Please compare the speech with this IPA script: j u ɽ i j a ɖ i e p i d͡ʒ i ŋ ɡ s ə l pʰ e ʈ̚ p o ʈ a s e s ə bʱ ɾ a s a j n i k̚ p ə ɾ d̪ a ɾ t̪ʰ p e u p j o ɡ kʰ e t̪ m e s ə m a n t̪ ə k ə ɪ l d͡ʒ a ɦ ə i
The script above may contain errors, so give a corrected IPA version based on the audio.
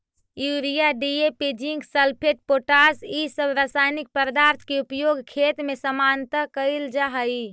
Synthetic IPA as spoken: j u ɾ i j a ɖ i e p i d͡ʒ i ŋ ɡ s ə l pʰ e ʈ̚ p o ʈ a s i s ə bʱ ɾ a s a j n i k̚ p ə ɾ d̪ a ɾ t̪ʰ k e u p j o ɡ kʰ e t̪ m e s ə m a n t̪ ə k ə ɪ l d͡ʒ a ɦ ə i